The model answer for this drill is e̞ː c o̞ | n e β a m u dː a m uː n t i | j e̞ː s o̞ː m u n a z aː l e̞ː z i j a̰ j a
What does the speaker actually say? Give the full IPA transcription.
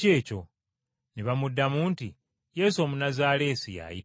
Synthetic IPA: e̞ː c o̞ | n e β a m u dː a m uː n t i | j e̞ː s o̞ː m u n a z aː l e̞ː s i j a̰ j i